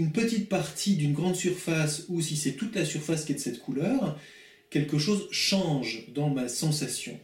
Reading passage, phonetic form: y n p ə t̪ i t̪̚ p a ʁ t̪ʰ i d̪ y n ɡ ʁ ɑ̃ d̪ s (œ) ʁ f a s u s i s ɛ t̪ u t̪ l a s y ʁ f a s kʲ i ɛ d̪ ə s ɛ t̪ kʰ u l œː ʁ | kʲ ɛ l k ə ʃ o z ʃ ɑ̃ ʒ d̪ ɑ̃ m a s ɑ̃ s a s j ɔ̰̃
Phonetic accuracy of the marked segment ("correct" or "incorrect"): incorrect